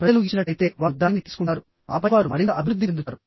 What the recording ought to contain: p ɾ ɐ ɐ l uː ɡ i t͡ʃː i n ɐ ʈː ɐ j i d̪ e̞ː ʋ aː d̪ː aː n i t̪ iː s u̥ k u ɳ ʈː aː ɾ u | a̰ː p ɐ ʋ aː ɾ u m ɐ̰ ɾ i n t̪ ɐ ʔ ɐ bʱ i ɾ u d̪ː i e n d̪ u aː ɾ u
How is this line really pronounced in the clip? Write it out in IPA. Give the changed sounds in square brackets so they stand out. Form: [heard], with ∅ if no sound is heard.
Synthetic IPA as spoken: p ɾ ɐ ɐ l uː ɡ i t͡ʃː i n ɐ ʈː ɐ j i [t̪] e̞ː ʋ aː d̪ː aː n i t̪ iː s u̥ k u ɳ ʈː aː ɾ u | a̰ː p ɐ ʋ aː ɾ u m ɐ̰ ɾ i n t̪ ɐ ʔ ɐ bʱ i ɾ u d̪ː i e n d̪ u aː ɾ u